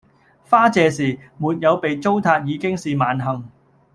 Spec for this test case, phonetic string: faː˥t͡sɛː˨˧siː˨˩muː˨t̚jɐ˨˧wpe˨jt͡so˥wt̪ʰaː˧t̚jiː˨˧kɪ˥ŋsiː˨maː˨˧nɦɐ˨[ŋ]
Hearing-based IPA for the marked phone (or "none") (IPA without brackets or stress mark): ŋ